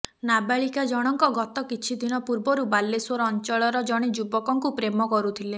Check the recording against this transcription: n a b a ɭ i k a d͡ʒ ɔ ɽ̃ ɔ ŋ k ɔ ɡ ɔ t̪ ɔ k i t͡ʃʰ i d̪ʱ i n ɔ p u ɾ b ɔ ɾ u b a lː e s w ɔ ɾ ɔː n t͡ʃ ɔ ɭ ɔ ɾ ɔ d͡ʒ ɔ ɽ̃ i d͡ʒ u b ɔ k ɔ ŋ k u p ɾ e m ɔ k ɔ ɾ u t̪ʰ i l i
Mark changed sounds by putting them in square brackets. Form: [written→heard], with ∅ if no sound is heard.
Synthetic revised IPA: n a b a ɭ i k a d͡ʒ ɔ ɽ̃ ɔ ŋ k ɔ ɡ ɔ t̪ ɔ k i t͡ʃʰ i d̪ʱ i n ɔ p u ɾ b ɔ ɾ u b a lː e s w ɔ ɾ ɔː n t͡ʃ ɔ ɭ ɔ ɾ ɔ d͡ʒ ɔ ɽ̃ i d͡ʒ u b ɔ k ɔ ŋ k u p ɾ e m ɔ k ɔ ɾ u t̪ʰ i l [i→e]

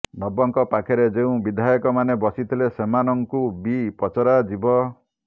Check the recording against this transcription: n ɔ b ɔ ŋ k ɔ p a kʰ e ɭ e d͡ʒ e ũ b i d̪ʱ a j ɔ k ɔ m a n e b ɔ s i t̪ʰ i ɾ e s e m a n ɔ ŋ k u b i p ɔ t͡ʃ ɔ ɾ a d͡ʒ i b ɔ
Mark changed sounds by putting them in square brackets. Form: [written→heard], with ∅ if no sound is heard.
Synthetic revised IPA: n ɔ b ɔ ŋ k ɔ p a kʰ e [ɭ→ɾ] e d͡ʒ e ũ b i d̪ʱ a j ɔ k ɔ m a n e b ɔ s i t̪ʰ i [ɾ→l] e s e m a n ɔ ŋ k u b i p ɔ t͡ʃ ɔ ɾ a d͡ʒ i b ɔ

